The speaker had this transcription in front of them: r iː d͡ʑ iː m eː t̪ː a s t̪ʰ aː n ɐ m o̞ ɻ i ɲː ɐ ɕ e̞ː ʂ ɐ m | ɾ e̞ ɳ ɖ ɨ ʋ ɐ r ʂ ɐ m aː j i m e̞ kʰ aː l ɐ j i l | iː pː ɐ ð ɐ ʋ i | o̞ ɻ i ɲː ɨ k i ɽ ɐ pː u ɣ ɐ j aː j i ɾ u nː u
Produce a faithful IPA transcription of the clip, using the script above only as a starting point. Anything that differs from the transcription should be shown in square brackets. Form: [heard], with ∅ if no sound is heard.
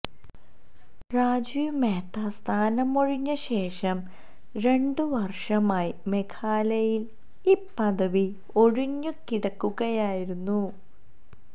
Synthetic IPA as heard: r [aː] d͡ʑ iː m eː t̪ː a s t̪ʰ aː n ɐ m o̞ ɻ i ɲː ɐ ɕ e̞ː ʂ ɐ m | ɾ e̞ ɳ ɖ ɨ ʋ ɐ r ʂ ɐ m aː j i m e̞ kʰ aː l ɐ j i l | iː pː ɐ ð ɐ ʋ i | o̞ ɻ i ɲː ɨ k i ɽ ɐ [kː] u ɣ ɐ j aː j i ɾ u nː u